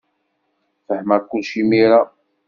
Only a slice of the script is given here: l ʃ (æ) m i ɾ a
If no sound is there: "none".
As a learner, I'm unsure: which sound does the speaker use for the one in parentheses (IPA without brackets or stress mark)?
i